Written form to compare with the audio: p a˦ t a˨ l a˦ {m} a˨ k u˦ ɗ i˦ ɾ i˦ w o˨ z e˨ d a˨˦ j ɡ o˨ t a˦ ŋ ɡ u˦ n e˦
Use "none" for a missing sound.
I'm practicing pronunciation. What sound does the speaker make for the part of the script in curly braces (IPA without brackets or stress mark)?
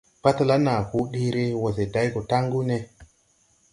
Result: n